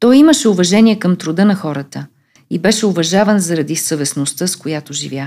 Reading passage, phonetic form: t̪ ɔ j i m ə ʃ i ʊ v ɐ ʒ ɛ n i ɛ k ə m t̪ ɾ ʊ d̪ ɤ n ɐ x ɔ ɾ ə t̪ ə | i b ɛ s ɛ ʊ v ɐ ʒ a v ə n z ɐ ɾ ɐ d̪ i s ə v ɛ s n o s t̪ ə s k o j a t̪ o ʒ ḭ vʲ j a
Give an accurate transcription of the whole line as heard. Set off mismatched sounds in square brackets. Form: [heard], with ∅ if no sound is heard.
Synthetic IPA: t̪ ɔ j i m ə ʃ [ɛ] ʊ v ɐ ʒ ɛ n i ɛ k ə m t̪ ɾ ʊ d̪ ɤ n ɐ x ɔ ɾ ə t̪ ə | i b ɛ [ʃ] ɛ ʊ v ɐ ʒ a v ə n z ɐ ɾ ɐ d̪ i s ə v ɛ s n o s t̪ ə s k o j a t̪ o ʒ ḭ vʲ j a